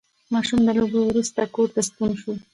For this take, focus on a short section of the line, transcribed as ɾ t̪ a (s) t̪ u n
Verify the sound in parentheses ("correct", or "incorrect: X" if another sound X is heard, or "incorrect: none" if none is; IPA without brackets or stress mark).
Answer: correct